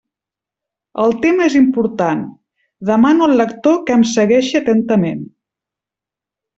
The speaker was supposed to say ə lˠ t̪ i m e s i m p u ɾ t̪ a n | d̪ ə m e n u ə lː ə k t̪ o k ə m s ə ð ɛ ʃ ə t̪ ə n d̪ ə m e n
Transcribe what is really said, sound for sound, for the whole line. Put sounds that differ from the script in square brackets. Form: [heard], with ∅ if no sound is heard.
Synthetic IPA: ə lˠ t̪ [e] m e [z] i m p u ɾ t̪ a n | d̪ ə m [a] n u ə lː ə k t̪ o k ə m s ə [ɣ] ɛ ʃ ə t̪ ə n [t̪] ə m e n